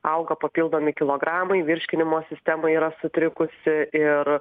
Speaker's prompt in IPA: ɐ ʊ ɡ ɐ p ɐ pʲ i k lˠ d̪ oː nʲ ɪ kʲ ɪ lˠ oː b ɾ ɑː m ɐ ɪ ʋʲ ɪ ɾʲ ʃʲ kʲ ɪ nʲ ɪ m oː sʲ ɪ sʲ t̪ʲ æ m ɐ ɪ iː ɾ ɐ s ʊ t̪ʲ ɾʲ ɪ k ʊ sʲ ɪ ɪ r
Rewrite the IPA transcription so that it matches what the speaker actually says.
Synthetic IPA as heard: ɐ ʊ ɡ ɐ p ɐ pʲ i lˠ d̪ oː mʲ ɪ kʲ ɪ lˠ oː ɡ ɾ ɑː m ɐ ɪ ʋʲ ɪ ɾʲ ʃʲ kʲ ɪ nʲ ɪ m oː sʲ ɪ sʲ t̪ʲ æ m ɐ ɪ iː ɾ ɐ s ʊ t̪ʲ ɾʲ ɪ k ʊ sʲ ɪ ɪ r

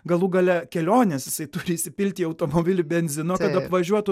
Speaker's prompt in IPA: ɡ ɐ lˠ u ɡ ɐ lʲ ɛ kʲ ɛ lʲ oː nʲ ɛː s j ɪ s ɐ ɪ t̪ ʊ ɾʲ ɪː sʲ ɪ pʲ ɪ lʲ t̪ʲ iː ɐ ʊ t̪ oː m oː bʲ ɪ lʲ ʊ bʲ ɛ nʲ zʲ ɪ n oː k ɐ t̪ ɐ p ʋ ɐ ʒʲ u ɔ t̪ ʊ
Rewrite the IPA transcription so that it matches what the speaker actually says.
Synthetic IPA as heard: ɡ ɐ lˠ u ɡ ɐ lʲ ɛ kʲ ɛ lʲ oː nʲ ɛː s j ɪ s ɐ ɪ t̪ ʊ ɾʲ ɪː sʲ ɪ pʲ ɪ lʲ t̪ʲ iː ɐ ʊ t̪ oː m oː bʲ ɪ lʲ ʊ bʲ ɛ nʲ zʲ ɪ n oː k ɐ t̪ ɐ p ʋ ɐ ʒʲ u ɔ t̪ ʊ

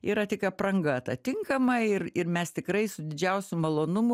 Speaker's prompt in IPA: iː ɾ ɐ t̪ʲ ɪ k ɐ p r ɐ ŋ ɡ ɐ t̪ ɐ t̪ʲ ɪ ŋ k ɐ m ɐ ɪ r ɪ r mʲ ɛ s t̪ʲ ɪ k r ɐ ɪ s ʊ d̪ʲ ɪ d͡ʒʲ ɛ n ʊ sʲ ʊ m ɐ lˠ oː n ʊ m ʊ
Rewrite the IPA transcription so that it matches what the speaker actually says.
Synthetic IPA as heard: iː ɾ ɐ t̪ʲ ɪ k ɐ p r ɐ ŋ ɡ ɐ t̪ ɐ t̪ʲ ɪ ŋ k ɐ m ɐ ɪ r ɪ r mʲ ɛ s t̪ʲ ɪ k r ɐ ɪ s ʊ d̪ʲ ɪ d͡ʒʲ ɛ ʊ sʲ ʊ m ɐ lˠ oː n ʊ m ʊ

